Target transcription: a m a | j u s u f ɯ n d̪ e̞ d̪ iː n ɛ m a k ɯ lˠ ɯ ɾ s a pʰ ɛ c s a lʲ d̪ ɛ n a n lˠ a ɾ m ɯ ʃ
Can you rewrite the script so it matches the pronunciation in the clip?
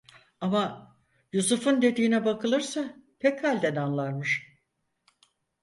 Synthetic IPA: a m a | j u s u f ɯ n d̪ e̞ d̪ iː n ɛ b a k ɯ lˠ ɯ ɾ s a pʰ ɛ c h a lʲ d̪ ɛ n a n lˠ a ɾ m ɯ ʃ